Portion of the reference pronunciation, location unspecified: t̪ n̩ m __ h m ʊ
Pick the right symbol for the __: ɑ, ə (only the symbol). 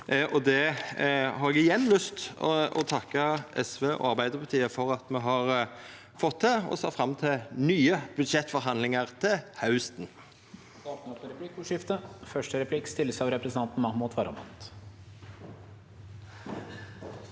ɑ